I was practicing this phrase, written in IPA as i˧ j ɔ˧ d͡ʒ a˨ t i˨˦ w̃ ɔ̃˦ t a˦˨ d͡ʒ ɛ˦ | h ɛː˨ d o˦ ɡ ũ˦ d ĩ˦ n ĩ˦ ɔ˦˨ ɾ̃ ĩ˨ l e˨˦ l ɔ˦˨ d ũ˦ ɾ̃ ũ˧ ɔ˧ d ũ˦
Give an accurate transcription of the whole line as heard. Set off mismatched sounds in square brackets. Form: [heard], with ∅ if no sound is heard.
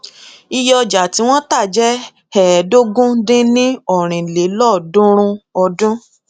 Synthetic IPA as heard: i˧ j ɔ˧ d͡ʒ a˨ t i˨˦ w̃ ɔ̃˦ t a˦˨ d͡ʒ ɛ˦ | h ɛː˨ d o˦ ɡ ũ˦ d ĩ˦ n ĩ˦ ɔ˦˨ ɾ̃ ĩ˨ l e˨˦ l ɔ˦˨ d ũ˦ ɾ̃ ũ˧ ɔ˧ d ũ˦